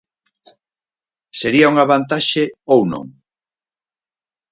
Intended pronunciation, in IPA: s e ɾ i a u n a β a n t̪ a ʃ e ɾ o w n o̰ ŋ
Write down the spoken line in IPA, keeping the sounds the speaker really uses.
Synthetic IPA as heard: s e ɾ i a u ŋ a β a n t̪ a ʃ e o w n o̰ ŋ